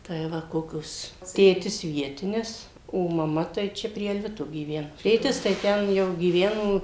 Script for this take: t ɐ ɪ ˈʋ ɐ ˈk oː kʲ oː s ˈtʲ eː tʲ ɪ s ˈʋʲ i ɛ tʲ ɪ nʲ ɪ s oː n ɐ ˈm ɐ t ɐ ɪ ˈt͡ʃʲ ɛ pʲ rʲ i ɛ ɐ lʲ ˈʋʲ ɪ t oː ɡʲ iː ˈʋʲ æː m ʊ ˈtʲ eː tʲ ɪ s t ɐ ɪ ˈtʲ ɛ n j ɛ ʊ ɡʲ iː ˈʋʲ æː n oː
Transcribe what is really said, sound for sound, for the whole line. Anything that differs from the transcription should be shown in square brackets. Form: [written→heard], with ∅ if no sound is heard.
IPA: t ɐ ɪ ˈʋ ɐ ˈk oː kʲ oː s ˈtʲ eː tʲ ɪ s ˈʋʲ i ɛ tʲ ɪ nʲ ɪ s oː [n→m] ɐ ˈm ɐ t ɐ ɪ ˈt͡ʃʲ ɛ pʲ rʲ i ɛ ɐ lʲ ˈʋʲ ɪ t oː ɡʲ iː ˈʋʲ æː [m→n] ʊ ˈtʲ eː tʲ ɪ s t ɐ ɪ ˈtʲ ɛ n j ɛ ʊ ɡʲ iː ˈʋʲ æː n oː